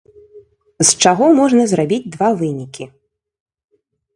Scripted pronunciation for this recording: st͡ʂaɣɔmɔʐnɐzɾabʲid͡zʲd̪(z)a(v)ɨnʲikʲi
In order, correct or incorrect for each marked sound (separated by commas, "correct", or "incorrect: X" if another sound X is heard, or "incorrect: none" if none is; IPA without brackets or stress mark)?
incorrect: v, correct